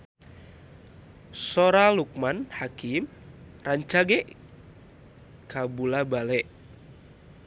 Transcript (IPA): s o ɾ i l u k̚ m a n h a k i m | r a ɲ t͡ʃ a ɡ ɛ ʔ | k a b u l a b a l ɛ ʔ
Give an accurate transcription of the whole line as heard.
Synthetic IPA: s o ɾ a l u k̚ m a n h a k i m | r a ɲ t͡ʃ a ɡ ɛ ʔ | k a b u l a b a l ɛ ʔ